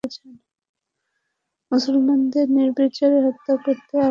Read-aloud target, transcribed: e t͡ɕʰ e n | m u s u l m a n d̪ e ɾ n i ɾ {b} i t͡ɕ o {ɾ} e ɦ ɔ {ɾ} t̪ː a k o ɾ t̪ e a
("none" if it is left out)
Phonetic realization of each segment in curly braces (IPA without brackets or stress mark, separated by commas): b, ɾ, none